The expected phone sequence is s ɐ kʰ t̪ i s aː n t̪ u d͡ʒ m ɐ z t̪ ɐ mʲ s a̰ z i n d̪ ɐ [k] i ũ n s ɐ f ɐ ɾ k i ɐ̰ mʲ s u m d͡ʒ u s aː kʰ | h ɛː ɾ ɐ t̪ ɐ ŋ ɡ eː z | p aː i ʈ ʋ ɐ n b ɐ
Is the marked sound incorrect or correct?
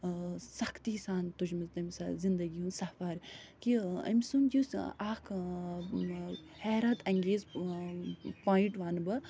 incorrect